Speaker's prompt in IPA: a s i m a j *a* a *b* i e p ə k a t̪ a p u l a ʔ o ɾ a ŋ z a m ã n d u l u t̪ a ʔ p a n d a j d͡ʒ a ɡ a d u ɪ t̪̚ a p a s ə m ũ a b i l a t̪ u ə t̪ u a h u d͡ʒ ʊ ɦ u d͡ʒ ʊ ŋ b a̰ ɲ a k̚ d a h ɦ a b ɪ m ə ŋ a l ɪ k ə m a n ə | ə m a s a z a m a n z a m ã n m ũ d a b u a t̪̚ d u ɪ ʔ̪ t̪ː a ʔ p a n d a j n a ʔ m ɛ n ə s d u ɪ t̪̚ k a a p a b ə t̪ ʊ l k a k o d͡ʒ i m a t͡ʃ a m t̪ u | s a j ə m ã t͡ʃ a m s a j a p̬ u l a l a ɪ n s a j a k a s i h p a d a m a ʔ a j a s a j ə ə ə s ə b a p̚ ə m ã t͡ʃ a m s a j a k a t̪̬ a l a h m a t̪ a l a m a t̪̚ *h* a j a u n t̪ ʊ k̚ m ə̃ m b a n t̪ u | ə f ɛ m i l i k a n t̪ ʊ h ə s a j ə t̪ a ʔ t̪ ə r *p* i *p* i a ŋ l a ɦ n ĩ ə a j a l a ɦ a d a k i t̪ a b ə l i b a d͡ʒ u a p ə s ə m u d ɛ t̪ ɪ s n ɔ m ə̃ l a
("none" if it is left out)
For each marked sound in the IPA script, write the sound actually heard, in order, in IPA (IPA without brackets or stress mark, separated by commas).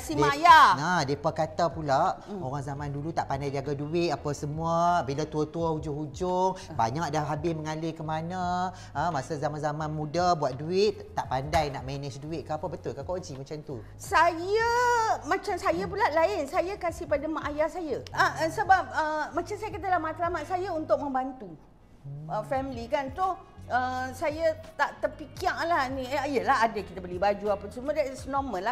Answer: a, d, s, p, k